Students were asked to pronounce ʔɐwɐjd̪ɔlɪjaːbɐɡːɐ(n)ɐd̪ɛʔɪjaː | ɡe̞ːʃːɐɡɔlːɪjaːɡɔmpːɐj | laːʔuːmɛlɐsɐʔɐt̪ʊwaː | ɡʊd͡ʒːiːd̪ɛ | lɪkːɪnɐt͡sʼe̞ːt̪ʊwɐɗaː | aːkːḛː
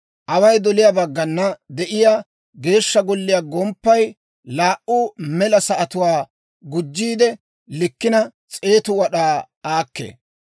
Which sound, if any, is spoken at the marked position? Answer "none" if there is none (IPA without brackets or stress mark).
nː